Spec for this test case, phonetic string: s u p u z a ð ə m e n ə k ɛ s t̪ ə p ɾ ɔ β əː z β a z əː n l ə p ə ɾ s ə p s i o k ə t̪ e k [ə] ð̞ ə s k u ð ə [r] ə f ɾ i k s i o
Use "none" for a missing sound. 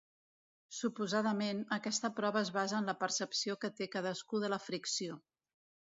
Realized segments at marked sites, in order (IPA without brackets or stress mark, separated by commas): a, l